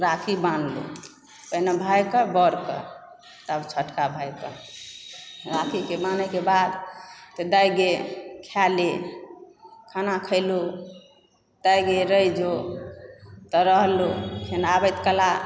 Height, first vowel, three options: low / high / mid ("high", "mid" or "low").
low